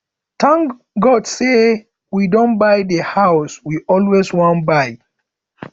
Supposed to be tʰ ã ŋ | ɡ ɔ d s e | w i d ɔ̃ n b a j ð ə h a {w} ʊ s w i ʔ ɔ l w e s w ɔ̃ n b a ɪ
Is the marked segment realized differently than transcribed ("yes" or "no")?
yes